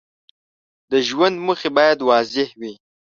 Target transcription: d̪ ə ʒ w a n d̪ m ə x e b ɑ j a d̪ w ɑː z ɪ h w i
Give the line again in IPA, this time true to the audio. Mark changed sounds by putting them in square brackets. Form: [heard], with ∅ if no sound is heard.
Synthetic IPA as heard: d̪ ə ʒ w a n d̪ m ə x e b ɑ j a d̪ w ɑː z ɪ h w i